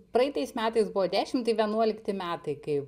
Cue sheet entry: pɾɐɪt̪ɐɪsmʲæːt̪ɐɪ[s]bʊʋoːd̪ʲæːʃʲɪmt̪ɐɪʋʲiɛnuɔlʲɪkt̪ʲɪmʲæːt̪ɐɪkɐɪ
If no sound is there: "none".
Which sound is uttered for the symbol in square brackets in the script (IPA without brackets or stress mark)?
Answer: s